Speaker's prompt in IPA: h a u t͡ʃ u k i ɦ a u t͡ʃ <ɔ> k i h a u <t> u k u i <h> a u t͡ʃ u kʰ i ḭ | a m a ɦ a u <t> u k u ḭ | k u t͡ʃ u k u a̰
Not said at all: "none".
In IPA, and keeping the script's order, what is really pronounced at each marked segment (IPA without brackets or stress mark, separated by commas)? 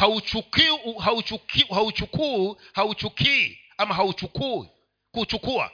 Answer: u, t͡ʃ, h, t͡ʃ